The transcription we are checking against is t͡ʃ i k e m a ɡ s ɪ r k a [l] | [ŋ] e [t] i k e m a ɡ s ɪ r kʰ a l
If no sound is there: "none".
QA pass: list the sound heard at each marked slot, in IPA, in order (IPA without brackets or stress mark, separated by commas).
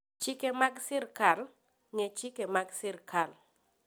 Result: l, ŋ, t͡ʃ